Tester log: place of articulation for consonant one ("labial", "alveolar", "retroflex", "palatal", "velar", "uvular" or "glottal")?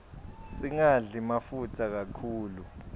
alveolar